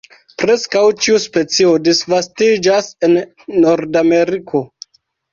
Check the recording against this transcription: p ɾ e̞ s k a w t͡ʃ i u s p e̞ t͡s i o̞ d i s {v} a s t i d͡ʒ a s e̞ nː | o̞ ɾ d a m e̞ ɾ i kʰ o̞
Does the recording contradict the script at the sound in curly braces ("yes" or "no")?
no